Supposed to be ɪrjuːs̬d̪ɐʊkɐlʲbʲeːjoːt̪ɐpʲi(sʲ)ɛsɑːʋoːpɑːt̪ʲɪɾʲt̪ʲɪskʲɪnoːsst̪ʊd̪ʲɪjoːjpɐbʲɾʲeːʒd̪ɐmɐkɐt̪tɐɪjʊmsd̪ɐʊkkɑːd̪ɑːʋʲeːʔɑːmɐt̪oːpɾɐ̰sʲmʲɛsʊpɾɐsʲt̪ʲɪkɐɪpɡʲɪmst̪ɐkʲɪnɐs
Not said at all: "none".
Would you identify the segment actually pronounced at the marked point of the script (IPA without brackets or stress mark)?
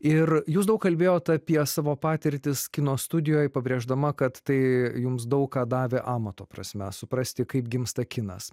none